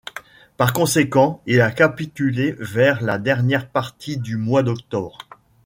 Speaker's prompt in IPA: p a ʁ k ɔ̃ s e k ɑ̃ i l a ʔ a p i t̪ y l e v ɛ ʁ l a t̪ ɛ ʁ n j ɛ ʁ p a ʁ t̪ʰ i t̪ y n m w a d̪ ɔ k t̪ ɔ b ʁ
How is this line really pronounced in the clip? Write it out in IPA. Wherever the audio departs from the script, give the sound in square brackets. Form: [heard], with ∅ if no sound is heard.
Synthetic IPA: p a ʁ k ɔ̃ s e k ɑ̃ i l a [k] a p i t̪ y l e v ɛ ʁ l a [d̪] ɛ ʁ n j ɛ ʁ p a ʁ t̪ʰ i [d̪] y [∅] m w a d̪ ɔ k t̪ ɔ b ʁ